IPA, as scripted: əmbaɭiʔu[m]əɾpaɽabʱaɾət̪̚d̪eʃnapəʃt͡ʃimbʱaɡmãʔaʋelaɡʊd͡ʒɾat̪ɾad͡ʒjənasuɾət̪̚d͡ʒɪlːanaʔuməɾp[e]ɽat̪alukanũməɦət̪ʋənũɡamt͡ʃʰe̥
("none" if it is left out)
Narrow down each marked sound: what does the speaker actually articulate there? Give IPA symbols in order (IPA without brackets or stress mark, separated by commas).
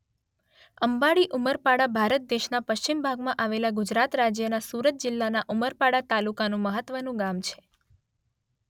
m, a